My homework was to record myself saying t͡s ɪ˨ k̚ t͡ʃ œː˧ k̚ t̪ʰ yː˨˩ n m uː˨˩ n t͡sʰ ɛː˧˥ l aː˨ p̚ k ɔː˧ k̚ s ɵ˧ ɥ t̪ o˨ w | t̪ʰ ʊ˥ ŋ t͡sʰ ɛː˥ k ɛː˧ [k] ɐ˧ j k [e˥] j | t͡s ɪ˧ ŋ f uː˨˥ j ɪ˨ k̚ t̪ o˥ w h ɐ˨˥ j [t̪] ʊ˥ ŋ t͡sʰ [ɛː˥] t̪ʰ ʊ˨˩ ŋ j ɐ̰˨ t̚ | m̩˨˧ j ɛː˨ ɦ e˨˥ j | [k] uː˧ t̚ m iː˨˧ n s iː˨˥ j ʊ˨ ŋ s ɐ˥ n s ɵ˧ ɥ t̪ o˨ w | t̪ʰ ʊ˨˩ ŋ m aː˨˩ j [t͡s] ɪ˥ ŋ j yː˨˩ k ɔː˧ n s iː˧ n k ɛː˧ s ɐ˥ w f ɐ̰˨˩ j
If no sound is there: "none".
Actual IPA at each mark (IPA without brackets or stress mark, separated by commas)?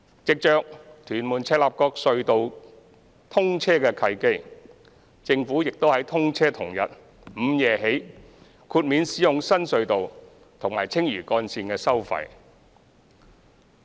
kʰ, e˥, t̪ʰ, ɛː˥, kʰ, t͡sʰ